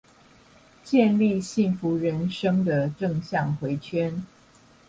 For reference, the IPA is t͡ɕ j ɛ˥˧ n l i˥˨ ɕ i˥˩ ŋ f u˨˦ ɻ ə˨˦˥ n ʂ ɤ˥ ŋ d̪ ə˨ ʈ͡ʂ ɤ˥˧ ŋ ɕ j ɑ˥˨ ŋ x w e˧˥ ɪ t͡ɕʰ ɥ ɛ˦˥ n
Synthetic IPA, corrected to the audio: t͡ɕ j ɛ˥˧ n l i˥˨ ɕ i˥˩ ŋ f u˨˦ ɻ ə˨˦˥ n ʂ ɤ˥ ŋ d̪ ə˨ ʈ͡ʂ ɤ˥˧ ŋ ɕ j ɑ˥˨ ŋ x w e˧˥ ɪ t͡ɕʰ ɥ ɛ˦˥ n